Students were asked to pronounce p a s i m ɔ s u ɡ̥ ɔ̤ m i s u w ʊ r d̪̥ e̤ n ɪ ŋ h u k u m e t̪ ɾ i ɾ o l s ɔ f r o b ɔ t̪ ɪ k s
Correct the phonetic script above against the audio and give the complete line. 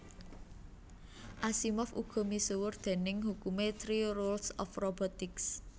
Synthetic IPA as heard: ʔ a s i m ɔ f u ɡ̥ ɔ̤ m i s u w ʊ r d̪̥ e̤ n ɪ ŋ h u k u m e t̪ ɾ i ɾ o l s ɔ f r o b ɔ t̪ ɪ k s